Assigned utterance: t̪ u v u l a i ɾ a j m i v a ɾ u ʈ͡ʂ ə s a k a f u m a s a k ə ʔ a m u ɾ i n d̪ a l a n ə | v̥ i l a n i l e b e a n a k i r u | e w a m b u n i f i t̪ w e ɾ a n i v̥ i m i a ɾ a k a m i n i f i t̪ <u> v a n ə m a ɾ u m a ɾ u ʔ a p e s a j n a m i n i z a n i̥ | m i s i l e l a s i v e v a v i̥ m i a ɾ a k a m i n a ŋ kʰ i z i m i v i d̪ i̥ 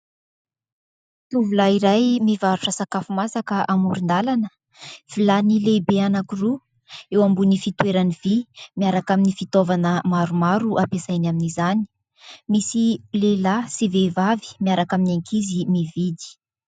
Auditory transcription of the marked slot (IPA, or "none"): o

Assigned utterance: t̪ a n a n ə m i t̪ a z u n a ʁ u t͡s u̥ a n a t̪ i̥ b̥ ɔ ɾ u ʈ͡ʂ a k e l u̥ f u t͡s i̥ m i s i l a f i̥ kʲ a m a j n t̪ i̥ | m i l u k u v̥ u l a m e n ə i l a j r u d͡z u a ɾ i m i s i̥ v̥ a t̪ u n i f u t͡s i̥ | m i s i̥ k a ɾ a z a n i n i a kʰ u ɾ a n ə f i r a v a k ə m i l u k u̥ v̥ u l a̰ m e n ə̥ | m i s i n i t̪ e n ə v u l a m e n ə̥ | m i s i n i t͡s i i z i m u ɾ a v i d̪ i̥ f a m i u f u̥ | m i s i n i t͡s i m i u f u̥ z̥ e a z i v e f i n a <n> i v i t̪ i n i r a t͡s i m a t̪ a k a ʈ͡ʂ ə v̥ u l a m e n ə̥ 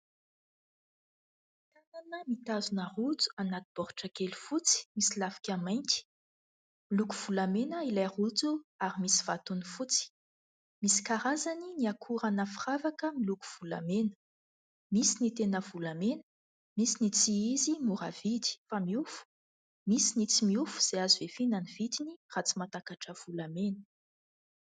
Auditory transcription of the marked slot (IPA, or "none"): n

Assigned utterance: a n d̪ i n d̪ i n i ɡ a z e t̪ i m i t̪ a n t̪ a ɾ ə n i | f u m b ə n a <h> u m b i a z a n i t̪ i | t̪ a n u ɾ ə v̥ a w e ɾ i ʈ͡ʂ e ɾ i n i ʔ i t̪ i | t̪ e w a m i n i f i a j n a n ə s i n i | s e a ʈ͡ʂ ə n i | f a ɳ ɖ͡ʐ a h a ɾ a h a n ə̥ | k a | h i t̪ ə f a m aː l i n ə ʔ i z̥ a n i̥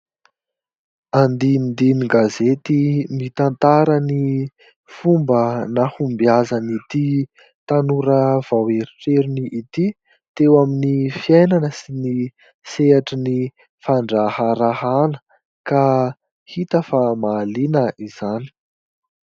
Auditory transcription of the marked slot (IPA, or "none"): h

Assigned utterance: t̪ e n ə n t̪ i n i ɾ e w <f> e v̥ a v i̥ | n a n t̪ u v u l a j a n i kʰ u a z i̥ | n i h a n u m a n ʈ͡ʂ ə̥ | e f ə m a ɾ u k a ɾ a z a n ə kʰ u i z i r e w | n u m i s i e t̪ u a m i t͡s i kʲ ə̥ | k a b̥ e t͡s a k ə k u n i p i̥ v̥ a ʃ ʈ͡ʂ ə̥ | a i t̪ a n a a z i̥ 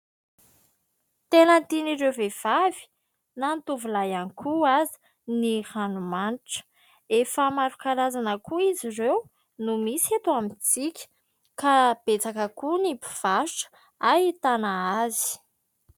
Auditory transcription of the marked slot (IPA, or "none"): v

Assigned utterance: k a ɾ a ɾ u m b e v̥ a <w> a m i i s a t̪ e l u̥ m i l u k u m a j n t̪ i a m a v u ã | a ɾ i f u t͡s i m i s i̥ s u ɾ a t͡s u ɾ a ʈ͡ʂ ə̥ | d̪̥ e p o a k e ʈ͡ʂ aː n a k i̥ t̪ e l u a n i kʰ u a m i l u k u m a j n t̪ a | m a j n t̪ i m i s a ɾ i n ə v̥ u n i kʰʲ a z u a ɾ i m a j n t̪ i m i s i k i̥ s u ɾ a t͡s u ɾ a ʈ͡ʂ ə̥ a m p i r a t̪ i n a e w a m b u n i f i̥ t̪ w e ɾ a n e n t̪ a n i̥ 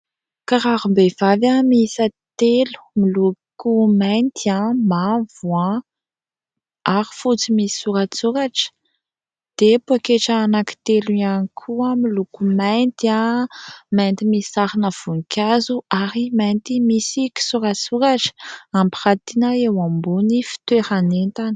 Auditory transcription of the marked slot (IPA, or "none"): v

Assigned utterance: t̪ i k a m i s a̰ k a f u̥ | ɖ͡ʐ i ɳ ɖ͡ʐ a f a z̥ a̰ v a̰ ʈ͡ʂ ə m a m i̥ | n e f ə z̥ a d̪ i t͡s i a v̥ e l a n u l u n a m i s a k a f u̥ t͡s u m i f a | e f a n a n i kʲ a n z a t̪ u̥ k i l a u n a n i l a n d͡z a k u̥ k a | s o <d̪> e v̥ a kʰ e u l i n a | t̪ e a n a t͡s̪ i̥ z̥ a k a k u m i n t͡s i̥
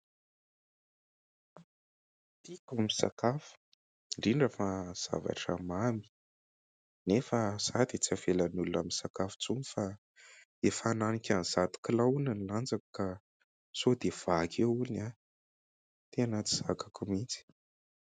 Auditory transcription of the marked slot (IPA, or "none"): d̪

